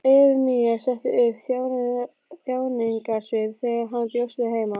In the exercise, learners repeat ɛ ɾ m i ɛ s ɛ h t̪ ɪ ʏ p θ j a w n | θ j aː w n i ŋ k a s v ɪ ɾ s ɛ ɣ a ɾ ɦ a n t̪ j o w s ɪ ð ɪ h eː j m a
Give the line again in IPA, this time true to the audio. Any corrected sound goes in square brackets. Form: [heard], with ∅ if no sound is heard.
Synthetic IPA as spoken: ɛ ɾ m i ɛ s ɛ h t̪ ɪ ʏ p θ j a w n | θ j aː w n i ŋ k a s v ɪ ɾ [θ] ɛ ɣ a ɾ ɦ a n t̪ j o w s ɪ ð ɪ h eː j m a

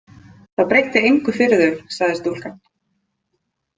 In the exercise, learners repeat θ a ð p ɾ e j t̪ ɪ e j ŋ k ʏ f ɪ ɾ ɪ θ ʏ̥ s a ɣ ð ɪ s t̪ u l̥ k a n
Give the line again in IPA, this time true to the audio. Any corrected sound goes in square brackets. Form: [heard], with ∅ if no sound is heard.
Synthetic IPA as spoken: θ a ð p ɾ e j t̪ ɪ e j ŋ k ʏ f ɪ ɾ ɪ [ð] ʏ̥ s a ɣ ð ɪ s t̪ u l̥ k a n

